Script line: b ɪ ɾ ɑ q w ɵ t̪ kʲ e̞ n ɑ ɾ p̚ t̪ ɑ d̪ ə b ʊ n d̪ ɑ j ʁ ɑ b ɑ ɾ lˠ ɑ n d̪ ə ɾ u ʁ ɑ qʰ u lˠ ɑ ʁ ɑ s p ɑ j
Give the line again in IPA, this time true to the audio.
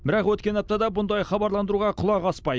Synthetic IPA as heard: b ɪ ɾ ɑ q w ɵ t̪ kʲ e̞ n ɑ p̚ t̪ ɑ d̪ ɑ b ʊ n d̪ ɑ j χ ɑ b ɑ ɾ lˠ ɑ n d̪ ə ɾ u ʁ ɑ qʰ ʊ lˠ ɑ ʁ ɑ s p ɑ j

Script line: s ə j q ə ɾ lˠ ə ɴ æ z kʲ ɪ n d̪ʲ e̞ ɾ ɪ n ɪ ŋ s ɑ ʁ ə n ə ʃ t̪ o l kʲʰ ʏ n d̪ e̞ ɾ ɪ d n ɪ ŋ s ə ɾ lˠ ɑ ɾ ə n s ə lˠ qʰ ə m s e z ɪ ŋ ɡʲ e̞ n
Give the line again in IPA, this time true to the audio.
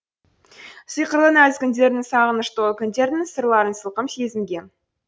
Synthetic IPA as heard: s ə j q ə ɾ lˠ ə n æ z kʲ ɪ n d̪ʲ e̞ ɾ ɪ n ɪ ŋ s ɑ ʁ ə n ə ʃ t̪ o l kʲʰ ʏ n d̪ e̞ ɾ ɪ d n ɪ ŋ s ə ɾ lˠ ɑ ɾ ə n s ə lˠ q ə m s e z ɪ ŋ ɡʲ e̞ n

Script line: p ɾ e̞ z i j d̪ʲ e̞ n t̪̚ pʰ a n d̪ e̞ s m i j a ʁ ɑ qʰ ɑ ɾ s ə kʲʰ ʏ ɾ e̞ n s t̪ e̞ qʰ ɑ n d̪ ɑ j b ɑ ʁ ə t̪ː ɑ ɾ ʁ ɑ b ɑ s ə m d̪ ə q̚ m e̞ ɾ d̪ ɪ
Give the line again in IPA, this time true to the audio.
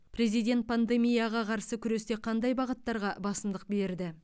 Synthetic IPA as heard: p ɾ e̞ z i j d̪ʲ e̞ n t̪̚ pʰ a n d̪ e̞ m i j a ʁ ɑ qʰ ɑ ɾ s ə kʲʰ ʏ ɾ e̞ s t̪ e̞ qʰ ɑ n d̪ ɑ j b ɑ ʁ ə t̪ː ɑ ɾ ʁ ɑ b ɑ s ə m d̪ ə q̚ b e̞ ɾ d̪ ɪ

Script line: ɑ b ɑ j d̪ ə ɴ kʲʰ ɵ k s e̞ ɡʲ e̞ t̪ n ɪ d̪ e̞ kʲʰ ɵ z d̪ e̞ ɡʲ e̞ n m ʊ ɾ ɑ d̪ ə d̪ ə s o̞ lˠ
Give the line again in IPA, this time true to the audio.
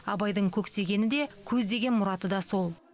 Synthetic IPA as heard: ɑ b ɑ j d̪ ə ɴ kʲʰ ɵ k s e̞ ɡʲ e̞ n ɪ d̪ e̞ kʲʰ ɵ z d̪ e̞ ɡʲ e̞ n m ʊ ɾ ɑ t̪ ə d̪ ɑ s o̞ lˠ

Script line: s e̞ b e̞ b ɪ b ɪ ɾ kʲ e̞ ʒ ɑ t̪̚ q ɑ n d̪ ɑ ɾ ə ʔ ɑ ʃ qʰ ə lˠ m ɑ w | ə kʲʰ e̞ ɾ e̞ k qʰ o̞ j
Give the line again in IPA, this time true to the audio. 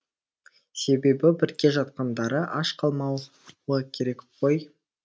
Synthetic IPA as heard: s e̞ b e̞ b ɪ b ɪ ɾ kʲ e̞ ʒ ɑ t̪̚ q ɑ n d̪ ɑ ɾ ə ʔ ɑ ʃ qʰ ɑ lˠ m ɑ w | ə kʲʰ e̞ ɾ e̞ k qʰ o̞ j

